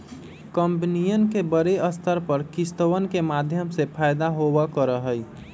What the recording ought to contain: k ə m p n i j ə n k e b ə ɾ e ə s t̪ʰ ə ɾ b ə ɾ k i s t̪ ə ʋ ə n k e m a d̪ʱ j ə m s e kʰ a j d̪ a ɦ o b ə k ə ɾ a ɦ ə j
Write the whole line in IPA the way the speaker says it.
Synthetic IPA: k ə m p n i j ə n k e b ə ɾ e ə s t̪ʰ ə ɾ p ə ɾ k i s t̪ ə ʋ ə n k e m a d̪ʱ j ə m s e pʰ a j d̪ a ɦ o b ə k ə ɾ ə ɦ ə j